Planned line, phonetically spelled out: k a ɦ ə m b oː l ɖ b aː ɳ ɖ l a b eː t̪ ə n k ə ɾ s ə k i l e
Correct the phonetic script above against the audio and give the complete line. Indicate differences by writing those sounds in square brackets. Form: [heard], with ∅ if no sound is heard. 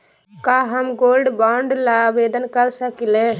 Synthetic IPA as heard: k a ɦ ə m [ɡ] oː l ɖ b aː ɳ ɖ l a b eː [d̪] ə n k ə ɾ s ə k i l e